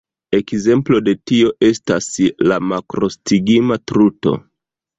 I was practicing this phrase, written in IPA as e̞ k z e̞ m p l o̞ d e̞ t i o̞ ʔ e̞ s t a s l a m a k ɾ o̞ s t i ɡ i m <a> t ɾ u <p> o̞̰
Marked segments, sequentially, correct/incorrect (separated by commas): correct, incorrect